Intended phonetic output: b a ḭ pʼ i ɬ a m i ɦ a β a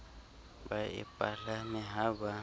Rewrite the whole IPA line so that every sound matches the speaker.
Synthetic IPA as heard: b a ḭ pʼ a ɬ a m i ɦ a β a

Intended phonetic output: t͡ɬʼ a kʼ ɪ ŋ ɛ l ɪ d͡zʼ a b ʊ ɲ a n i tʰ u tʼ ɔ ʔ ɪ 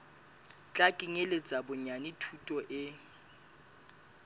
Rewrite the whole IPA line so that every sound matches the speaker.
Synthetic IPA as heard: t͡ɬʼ a kʼ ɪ ŋ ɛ l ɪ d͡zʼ a b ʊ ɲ a n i tʰ u tʼ ɔ ʔ ɪ

